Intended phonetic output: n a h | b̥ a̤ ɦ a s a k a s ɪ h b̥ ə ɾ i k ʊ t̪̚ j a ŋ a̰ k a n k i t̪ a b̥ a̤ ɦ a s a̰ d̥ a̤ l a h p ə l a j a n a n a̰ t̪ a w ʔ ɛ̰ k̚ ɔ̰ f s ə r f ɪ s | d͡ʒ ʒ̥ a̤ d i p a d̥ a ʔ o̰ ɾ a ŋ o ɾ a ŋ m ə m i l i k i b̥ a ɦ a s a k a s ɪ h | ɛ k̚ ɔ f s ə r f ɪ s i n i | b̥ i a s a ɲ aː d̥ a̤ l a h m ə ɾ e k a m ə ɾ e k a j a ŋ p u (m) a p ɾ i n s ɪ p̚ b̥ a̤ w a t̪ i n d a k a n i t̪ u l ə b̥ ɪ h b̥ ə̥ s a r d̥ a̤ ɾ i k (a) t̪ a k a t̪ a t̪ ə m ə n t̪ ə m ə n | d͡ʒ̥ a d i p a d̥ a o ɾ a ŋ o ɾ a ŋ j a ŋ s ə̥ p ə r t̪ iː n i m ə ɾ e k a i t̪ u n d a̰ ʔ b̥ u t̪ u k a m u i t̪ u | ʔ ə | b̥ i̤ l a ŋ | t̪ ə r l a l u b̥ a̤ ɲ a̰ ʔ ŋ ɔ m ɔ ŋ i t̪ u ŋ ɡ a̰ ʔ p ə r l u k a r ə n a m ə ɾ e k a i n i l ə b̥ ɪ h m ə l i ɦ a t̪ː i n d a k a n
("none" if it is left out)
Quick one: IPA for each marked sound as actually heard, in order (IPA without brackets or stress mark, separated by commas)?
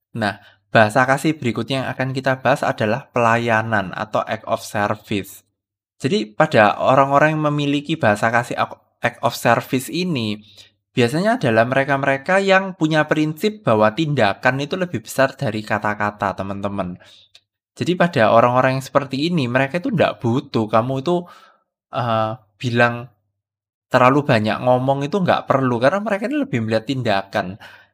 ɲ, a